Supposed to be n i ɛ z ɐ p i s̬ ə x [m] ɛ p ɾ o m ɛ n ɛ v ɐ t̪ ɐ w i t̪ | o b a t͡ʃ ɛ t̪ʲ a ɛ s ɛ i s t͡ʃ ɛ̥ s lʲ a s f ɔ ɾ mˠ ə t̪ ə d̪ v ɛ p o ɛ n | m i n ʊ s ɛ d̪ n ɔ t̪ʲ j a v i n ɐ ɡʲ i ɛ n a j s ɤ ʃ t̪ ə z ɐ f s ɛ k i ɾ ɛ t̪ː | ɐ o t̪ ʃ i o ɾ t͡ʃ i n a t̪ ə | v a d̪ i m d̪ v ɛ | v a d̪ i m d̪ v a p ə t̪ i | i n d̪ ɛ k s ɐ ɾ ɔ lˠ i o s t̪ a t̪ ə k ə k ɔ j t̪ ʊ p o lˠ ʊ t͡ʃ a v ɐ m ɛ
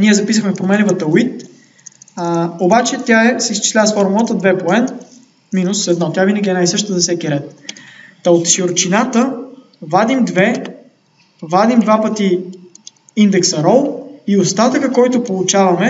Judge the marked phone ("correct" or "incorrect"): correct